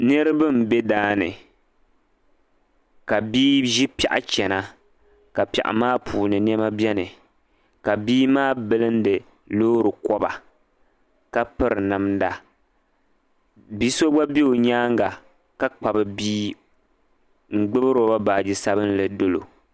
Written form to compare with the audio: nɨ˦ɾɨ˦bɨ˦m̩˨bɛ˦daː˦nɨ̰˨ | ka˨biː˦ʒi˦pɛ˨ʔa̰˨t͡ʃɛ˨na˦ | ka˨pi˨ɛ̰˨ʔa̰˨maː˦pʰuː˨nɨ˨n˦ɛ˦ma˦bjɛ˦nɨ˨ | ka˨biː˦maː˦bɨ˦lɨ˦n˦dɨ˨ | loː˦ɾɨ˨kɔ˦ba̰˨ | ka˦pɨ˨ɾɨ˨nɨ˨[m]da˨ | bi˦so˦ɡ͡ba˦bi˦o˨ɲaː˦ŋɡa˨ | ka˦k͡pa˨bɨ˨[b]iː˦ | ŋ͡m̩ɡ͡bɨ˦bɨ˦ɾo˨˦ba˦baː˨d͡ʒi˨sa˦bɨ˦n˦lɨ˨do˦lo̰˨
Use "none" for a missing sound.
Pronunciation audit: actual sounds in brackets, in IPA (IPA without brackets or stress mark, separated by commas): m, b